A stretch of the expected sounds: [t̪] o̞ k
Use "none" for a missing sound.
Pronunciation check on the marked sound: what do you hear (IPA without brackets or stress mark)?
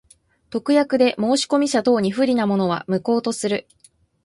t̪